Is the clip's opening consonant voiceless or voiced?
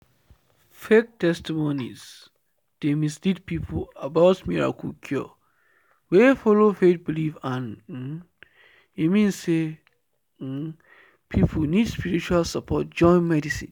voiceless